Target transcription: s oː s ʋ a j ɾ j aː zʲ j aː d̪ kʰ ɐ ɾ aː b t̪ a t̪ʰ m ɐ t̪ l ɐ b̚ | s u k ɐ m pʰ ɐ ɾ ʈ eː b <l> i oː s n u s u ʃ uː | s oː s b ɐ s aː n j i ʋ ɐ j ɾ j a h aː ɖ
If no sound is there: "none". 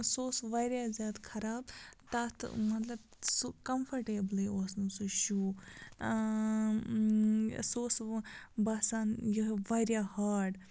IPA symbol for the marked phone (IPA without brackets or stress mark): l